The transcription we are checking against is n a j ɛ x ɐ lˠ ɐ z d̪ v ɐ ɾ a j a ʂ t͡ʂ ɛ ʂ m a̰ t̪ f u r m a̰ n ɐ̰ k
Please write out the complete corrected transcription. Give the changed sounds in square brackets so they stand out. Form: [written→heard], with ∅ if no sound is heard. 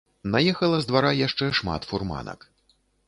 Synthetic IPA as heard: n a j ɛ x ɐ lˠ ɐ z d̪ v [ɐ→a] ɾ a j a ʂ t͡ʂ ɛ ʂ m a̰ t̪ f u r m a̰ n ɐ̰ k